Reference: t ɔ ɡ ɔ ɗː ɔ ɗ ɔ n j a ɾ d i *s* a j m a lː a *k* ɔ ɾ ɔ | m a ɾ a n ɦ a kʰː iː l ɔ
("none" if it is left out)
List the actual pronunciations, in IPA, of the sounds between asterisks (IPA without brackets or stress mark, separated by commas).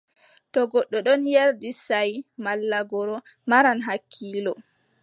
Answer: s, ɡ